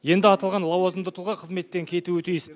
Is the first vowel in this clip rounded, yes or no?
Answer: no